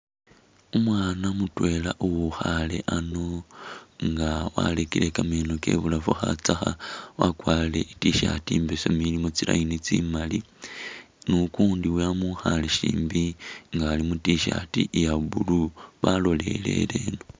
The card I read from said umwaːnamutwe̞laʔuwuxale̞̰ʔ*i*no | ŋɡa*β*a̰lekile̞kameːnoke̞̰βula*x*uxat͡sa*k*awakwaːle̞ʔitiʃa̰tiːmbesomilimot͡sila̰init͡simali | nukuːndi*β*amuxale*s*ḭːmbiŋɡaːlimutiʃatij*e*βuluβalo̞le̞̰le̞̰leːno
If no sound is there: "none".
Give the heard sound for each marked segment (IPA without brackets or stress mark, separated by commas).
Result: a, w, f, x, w, ʃ, a